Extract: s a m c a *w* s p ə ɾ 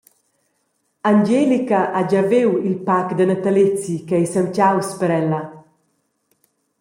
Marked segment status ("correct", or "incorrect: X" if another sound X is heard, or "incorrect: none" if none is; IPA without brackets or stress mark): correct